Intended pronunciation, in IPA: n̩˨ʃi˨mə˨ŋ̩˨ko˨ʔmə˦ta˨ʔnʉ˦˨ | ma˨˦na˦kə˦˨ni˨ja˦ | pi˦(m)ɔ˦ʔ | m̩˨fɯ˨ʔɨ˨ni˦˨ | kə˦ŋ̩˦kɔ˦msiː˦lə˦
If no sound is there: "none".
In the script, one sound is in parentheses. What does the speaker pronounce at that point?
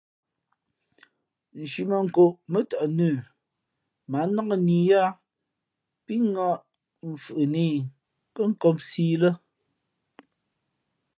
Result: ŋ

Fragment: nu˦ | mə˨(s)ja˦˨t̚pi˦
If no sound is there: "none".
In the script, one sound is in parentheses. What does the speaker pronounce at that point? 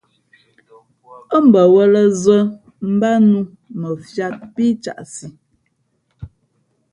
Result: f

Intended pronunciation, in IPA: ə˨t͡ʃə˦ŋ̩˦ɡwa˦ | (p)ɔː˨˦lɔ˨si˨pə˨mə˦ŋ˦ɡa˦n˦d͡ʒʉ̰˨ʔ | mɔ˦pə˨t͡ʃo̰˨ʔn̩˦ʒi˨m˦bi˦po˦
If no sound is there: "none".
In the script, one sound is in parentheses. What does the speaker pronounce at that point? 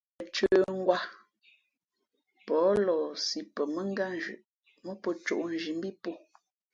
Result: p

